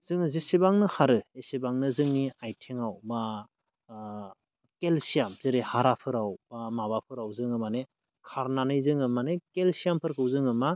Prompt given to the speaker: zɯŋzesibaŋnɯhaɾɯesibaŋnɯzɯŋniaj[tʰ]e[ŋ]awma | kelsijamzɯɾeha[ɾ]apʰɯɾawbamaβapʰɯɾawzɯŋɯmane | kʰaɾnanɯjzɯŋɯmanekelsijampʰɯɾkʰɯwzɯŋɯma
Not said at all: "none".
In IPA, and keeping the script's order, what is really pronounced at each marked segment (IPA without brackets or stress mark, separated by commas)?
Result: tʰ, ŋ, ɾ